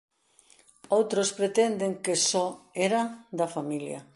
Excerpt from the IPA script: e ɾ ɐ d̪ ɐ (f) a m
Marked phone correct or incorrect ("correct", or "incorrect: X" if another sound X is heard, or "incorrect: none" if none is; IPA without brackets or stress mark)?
correct